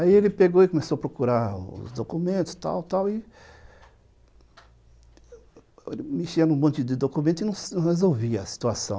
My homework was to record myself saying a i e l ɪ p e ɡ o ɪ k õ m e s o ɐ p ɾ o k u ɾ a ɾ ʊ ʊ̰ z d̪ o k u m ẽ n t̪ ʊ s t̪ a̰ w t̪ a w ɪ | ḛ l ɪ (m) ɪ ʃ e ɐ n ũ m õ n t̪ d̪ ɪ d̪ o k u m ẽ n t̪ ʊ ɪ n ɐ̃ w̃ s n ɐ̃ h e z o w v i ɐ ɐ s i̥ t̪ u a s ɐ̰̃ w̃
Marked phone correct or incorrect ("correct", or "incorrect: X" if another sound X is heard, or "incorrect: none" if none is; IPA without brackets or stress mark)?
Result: correct